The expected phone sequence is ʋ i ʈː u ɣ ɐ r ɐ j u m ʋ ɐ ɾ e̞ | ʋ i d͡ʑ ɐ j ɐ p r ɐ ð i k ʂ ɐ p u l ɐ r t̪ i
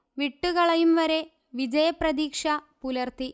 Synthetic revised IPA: ʋ i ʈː u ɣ ɐ ɭ ɐ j u m ʋ ɐ ɾ e̞ | ʋ i d͡ʑ ɐ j ɐ p r ɐ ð iː k ʂ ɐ p u l ɐ r t̪ i